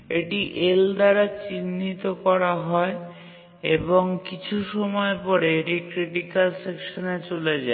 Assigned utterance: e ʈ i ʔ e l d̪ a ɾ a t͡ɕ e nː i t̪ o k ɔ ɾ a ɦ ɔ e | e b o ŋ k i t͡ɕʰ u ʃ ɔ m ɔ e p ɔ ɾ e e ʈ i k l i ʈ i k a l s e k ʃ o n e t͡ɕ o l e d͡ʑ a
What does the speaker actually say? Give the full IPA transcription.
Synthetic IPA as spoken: e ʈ i ʔ e l d̪ a ɾ a t͡ɕ i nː i t̪ o k ɔ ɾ a ɦ ɔ e | e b o ŋ k i t͡ɕʰ u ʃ ɔ m ɔ e p ɔ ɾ e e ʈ i k ɾ i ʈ i k a l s e k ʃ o n e t͡ɕ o l e d͡ʑ a